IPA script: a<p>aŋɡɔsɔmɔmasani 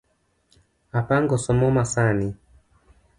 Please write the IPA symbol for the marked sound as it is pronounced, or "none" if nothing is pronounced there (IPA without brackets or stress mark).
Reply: p